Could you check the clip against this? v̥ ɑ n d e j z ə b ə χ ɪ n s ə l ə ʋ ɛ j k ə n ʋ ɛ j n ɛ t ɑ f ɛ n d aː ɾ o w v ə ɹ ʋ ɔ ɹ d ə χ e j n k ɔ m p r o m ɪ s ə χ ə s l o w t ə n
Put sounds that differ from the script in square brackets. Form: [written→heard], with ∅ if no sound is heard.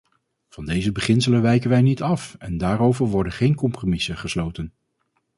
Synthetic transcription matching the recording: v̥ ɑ n d e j z ə b ə χ ɪ n s ə l ə ʋ ɛ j k ə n ʋ ɛ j n [ɛ→i] t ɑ f ɛ n d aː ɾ o w v ə ɹ ʋ ɔ ɹ d ə χ e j n k ɔ m p r o m ɪ s ə χ ə s l o w t ə n